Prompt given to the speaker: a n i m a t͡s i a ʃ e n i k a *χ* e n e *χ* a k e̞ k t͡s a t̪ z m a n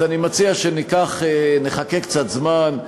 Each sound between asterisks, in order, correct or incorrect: correct, correct

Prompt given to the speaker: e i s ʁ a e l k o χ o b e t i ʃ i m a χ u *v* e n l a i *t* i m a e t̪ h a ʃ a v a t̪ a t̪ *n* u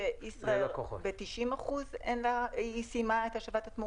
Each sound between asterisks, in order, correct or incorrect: incorrect: z, incorrect: s, incorrect: m

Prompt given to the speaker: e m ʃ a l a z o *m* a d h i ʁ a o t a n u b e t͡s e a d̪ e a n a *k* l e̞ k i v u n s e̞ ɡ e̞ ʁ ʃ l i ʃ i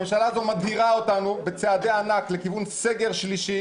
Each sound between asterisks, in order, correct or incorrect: correct, correct

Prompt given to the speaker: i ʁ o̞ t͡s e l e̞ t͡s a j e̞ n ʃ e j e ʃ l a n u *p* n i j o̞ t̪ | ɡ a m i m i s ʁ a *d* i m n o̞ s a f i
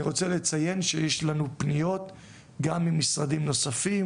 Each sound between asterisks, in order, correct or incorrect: correct, correct

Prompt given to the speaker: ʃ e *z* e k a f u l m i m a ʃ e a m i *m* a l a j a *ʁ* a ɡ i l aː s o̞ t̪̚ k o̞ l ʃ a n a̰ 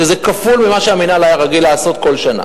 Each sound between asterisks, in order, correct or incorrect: correct, incorrect: n, correct

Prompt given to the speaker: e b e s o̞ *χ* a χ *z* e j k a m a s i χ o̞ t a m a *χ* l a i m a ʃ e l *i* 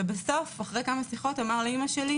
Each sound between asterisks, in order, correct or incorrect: incorrect: f, incorrect: ʁ, incorrect: ʁ, correct

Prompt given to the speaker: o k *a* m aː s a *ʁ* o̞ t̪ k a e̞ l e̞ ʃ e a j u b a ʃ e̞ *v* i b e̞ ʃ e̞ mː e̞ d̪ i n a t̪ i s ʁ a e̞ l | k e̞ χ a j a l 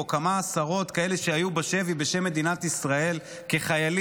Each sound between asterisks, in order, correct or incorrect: correct, correct, correct

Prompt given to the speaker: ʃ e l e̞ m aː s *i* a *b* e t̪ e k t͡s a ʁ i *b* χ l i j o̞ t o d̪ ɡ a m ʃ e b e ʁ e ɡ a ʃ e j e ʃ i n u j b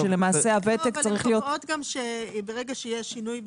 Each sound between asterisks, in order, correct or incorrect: incorrect: e, incorrect: v, incorrect: none

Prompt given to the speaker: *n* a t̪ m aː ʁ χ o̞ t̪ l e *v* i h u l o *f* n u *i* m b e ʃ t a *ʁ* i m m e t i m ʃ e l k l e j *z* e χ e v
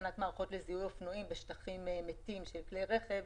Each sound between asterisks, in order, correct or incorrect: correct, incorrect: z, correct, correct, incorrect: χ, incorrect: ʁ

